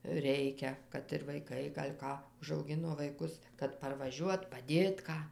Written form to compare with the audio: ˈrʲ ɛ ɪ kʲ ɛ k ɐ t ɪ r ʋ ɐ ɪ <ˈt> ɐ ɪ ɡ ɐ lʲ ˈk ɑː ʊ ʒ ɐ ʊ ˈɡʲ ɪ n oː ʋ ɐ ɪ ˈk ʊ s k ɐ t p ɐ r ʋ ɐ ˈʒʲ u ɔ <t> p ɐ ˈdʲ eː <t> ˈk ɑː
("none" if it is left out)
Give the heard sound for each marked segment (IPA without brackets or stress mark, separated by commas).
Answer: k, t, t